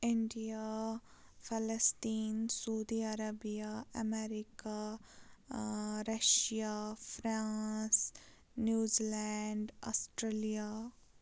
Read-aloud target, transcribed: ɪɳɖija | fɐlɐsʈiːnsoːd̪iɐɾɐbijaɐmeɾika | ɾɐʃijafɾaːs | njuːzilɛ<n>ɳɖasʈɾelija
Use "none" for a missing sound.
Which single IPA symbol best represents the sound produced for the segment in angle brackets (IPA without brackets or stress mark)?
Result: none